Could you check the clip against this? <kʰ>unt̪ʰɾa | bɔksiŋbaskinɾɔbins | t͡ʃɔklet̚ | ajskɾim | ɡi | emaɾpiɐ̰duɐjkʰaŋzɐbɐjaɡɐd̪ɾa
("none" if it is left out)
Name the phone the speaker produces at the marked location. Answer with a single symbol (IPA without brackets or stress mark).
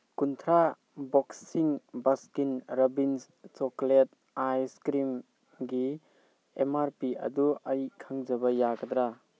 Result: k